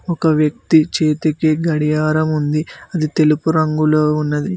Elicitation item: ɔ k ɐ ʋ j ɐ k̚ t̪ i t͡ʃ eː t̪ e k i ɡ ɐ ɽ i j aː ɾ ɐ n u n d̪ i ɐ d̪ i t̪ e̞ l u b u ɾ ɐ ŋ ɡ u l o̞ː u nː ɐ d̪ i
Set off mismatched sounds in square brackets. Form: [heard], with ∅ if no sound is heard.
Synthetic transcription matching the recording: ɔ k ɐ ʋ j ɐ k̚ t̪ i t͡ʃ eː t̪ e k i ɡ ɐ ɽ i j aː ɾ ɐ [m] u n d̪ i ɐ d̪ i t̪ e̞ l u [p] u ɾ ɐ ŋ ɡ u l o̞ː u nː ɐ d̪ i